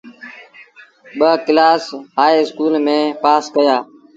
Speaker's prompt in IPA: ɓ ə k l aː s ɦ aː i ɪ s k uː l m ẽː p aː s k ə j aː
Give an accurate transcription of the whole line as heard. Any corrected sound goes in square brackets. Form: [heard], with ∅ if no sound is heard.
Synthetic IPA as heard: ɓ ə k l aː s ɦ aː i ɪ s k uː l m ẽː p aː s k ə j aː